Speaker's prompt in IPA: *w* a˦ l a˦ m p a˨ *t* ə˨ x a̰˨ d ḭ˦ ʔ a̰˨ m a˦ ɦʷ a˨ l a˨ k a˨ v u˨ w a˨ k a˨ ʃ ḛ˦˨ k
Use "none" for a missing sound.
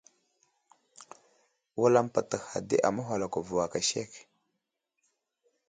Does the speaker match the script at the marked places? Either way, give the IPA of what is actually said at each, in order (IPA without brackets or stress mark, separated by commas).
w, t